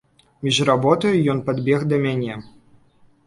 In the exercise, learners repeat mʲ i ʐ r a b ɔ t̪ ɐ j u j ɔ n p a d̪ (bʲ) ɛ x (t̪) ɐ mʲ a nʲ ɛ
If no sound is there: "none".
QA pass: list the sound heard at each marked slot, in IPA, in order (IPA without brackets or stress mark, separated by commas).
bʲ, d̪